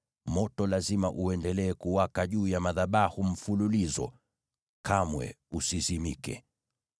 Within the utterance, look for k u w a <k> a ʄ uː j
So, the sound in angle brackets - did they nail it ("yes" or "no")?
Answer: yes